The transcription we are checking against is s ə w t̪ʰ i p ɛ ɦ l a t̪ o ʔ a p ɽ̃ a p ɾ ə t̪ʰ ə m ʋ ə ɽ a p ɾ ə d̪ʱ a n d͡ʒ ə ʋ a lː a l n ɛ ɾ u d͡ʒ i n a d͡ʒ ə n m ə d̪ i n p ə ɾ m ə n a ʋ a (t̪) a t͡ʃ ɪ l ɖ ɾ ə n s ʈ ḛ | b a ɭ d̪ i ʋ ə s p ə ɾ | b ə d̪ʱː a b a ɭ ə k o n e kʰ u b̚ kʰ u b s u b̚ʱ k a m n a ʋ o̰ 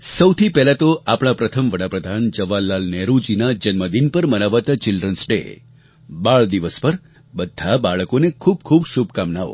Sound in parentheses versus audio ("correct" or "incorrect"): correct